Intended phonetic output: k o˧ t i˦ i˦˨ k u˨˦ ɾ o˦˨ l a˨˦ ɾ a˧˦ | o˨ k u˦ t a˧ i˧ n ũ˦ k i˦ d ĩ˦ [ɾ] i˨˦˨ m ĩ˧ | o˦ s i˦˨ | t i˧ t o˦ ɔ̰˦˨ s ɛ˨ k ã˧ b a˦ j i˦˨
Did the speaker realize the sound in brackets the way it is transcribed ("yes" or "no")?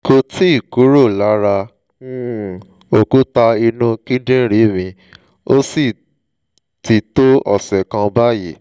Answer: yes